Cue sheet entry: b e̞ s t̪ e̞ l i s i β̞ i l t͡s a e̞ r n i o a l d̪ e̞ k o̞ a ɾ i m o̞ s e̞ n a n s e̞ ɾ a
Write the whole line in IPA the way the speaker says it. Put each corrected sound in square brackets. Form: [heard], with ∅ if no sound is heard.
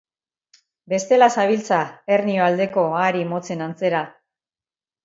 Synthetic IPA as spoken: b e̞ s t̪ e̞ l [a] s [a] β̞ i l t͡s a e̞ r n i o a l d̪ e̞ k o̞ a ɾ i m o̞ [t͡s] e̞ n a n [t͡s] e̞ ɾ a